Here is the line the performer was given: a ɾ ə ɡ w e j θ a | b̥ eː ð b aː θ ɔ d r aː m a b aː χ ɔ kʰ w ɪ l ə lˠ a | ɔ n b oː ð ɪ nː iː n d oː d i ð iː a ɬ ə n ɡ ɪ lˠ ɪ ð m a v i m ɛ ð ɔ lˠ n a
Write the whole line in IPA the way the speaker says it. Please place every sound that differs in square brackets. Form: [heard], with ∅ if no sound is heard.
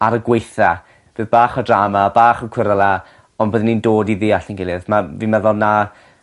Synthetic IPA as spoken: a ɾ ə ɡ w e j θ a | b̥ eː ð b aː [χ] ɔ d r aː m a b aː χ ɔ kʰ w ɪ [ɾ] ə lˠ a | ɔ n b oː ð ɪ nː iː n d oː d i ð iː a ɬ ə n ɡ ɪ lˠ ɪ ð m a v i m ɛ ð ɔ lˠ n a